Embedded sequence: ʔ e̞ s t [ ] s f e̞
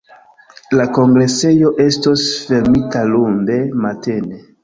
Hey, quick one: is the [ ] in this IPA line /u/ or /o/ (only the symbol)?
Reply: o